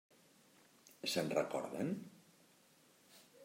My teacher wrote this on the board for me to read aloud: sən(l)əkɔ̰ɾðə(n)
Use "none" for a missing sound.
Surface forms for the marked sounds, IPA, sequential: r, n

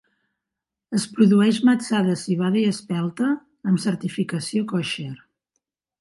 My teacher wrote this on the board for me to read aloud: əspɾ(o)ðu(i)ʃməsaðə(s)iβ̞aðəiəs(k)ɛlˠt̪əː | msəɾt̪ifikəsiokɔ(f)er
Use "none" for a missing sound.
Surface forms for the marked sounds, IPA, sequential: u, ɛ, s, p, ʃ

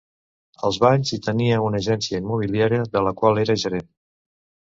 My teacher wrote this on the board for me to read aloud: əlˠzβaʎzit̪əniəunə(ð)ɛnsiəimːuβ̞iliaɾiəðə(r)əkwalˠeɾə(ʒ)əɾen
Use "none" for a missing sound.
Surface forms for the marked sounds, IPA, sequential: ʒ, l, ʒ

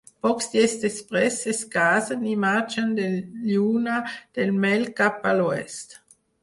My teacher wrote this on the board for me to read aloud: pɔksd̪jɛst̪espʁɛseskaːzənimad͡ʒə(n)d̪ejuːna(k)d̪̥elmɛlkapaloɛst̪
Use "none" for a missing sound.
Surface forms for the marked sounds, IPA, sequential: n, none

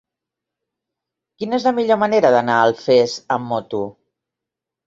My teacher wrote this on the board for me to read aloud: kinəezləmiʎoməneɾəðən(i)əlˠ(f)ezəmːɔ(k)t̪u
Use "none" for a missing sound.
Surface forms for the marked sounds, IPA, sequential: a, f, none

